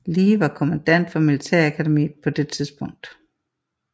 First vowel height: high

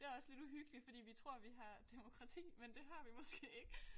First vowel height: mid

